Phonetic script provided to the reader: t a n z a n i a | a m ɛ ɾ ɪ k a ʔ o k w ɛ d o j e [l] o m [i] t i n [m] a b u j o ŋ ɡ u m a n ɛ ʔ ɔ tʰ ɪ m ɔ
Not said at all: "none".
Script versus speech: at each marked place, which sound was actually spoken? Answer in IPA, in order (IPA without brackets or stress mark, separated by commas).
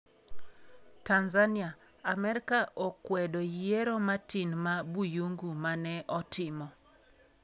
ɾ, a, m